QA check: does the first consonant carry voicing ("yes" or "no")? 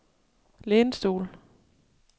yes